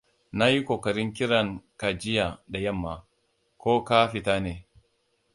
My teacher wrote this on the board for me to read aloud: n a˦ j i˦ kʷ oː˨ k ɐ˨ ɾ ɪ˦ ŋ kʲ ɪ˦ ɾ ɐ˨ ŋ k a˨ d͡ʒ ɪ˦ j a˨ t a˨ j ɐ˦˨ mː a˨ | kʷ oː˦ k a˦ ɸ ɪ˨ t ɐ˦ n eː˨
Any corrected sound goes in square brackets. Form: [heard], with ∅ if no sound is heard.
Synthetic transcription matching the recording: n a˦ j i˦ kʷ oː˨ k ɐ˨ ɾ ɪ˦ ŋ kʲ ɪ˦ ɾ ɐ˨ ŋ k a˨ d͡ʒ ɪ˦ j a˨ [d] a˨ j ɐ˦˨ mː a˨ | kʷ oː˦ k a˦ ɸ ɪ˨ t [a˦] n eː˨

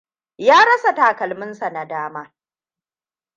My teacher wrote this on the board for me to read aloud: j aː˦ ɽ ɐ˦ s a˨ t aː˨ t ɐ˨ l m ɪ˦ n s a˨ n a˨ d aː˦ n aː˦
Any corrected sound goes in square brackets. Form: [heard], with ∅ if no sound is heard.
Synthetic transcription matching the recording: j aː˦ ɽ ɐ˦ s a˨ t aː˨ [k] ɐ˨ l m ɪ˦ n s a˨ n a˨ d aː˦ [m] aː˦

